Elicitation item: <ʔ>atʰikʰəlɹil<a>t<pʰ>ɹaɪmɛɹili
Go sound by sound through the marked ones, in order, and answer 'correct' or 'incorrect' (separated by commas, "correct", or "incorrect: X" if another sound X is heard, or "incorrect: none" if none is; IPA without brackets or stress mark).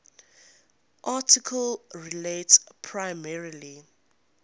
correct, incorrect: e, correct